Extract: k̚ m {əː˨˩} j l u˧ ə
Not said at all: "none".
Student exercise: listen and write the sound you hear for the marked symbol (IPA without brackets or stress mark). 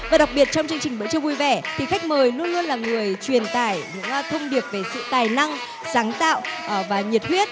əː˨˩